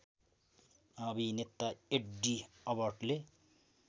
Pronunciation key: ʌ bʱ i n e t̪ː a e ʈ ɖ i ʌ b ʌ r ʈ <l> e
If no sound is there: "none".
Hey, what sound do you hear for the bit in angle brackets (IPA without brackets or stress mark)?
l